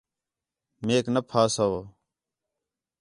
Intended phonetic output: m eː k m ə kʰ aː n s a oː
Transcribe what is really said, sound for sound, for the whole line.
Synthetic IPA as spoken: m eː k n ə pʰ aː s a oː